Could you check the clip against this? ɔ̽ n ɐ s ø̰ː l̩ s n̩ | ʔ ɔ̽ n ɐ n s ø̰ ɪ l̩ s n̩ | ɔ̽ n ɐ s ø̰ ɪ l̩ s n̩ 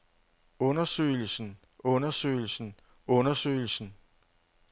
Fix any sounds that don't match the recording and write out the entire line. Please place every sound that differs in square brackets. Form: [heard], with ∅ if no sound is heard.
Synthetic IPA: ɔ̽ n ɐ s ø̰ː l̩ s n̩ | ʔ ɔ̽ n ɐ [∅] s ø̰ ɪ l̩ s n̩ | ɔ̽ n ɐ s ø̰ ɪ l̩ s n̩

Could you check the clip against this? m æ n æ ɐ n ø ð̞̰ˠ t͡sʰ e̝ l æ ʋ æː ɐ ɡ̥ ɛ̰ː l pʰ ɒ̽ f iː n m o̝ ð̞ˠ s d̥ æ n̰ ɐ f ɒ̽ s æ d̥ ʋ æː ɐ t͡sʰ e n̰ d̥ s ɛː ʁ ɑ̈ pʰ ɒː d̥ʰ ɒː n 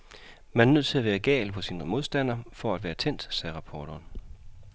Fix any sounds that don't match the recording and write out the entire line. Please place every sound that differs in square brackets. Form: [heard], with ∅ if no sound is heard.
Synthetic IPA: m æ n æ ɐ n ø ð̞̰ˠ t͡sʰ e̝ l æ ʋ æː ɐ ɡ̥ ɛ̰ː l pʰ ɒ̽ [s] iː n m o̝ ð̞ˠ s d̥ æ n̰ ɐ f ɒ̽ [∅] æ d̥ ʋ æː ɐ t͡sʰ e n̰ d̥ s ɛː ʁ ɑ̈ pʰ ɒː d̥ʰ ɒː n

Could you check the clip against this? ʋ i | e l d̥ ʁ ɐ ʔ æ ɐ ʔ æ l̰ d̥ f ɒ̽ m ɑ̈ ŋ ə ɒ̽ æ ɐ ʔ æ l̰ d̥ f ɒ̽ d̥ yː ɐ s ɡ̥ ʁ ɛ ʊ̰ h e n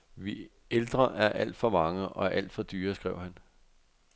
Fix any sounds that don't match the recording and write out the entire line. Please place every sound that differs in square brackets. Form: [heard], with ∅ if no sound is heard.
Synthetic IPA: ʋ i | e l d̥ ʁ ɐ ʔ æ ɐ ʔ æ l̰ d̥ f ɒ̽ m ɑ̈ ŋ ə ɒ̽ æ ɐ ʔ æ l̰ d̥ f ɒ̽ d̥ yː ɐ s ɡ̥ ʁ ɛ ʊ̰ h [æ] n

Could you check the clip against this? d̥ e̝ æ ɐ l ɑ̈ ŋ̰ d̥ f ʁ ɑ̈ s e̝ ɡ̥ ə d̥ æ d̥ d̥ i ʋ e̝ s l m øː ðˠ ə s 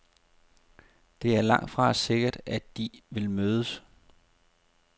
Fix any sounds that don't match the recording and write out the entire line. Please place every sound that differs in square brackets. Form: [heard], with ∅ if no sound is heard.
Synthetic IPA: d̥ e̝ æ ɐ l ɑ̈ ŋ̰ d̥ f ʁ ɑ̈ s e̝ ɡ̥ [ɐ] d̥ æ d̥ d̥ i ʋ e̝ [∅] l m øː ðˠ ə s

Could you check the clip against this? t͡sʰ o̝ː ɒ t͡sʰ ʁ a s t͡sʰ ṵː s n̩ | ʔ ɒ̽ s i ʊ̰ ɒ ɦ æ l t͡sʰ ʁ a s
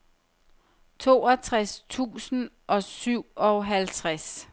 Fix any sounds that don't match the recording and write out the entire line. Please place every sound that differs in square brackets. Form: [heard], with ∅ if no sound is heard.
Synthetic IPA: t͡sʰ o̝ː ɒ t͡sʰ ʁ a s t͡sʰ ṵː s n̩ | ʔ ɒ̽ s [y] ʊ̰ ɒ ɦ æ l t͡sʰ ʁ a s

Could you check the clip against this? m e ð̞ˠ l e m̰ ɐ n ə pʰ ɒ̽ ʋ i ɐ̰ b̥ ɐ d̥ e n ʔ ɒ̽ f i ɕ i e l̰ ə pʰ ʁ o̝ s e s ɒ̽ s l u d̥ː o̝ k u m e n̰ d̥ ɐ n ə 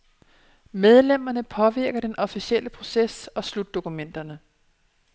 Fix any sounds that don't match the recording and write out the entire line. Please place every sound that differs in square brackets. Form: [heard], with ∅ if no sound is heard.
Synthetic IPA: m e ð̞ˠ l e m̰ ɐ n ə pʰ ɒ̽ ʋ i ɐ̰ [ɡ̥] ɐ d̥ e n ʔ ɒ̽ f i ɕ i e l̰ ə pʰ ʁ o̝ s e s ɒ̽ s l u d̥ː o̝ k u m e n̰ d̥ ɐ n ə

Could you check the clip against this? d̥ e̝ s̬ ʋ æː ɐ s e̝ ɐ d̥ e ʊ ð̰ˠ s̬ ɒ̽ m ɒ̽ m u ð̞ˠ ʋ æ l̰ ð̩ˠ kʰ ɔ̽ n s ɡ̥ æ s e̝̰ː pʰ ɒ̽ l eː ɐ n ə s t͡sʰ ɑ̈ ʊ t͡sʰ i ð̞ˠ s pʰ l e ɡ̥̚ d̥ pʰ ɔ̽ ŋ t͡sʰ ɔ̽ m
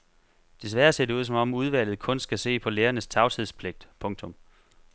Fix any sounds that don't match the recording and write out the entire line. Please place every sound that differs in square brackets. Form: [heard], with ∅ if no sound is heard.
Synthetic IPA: d̥ e̝ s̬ ʋ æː ɐ s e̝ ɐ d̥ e [u] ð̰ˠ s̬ ɒ̽ m ɒ̽ m u ð̞ˠ ʋ æ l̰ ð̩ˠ kʰ ɔ̽ n s ɡ̥ æ s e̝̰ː pʰ ɒ̽ l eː ɐ n ə s t͡sʰ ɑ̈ ʊ t͡sʰ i ð̞ˠ s pʰ l e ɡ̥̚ d̥ pʰ ɔ̽ ŋ t͡sʰ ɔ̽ m

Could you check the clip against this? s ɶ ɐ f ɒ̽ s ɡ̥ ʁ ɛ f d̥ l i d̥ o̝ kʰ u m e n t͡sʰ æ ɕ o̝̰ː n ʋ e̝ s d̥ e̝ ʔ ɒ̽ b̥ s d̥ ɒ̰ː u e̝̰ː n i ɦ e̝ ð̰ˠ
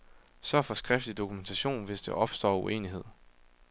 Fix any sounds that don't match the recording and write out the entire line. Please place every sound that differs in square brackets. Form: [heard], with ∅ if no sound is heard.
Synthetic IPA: s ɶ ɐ f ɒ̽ s ɡ̥ ʁ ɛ f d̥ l i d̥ o̝ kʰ u m e n t͡sʰ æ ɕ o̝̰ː n ʋ e̝ s d̥ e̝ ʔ ɒ̽ b̥ s d̥ ɒ̰ː u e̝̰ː n i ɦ e̝ ð̰ˠ

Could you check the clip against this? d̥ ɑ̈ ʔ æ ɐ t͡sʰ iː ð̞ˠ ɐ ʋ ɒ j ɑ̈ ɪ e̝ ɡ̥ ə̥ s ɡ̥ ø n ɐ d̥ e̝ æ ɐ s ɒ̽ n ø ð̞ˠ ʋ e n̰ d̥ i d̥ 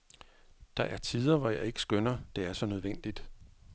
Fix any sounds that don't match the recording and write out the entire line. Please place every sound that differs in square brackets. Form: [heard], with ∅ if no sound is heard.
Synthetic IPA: d̥ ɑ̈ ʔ æ ɐ t͡sʰ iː ð̞ˠ ɐ ʋ ɒ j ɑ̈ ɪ e̝ ɡ̥ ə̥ s ɡ̥ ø n ɐ d̥ e̝ æ ɐ s ɒ̽ n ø ð̞ˠ ʋ e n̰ d̥ i d̥

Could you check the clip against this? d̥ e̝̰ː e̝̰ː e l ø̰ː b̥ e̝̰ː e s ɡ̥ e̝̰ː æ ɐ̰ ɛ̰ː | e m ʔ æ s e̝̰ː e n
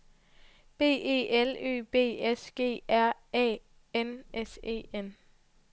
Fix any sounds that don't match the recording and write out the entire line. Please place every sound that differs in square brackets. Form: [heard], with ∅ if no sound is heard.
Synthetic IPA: [b̥] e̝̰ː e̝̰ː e l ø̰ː b̥ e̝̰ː e s ɡ̥ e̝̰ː æ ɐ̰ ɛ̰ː | e [n] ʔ [e] s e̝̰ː e n

